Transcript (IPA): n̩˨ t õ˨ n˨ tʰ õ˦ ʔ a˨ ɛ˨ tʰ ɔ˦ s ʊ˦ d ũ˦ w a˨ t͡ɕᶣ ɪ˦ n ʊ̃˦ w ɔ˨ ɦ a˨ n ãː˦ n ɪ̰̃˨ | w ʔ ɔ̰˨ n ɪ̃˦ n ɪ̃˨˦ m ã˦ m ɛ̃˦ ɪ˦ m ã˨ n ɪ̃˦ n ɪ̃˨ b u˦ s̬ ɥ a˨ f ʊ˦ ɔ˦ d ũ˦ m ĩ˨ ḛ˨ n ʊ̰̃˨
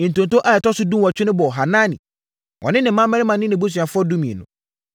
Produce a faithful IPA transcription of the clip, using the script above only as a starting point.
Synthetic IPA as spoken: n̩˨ t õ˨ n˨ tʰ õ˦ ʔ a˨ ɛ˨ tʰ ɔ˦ s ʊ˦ d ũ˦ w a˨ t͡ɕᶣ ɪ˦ n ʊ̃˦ b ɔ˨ ɦ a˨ n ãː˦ n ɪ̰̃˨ | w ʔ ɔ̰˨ n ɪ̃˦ n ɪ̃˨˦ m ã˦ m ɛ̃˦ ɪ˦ m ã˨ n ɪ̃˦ n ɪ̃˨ b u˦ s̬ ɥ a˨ f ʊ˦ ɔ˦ d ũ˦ m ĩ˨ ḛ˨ n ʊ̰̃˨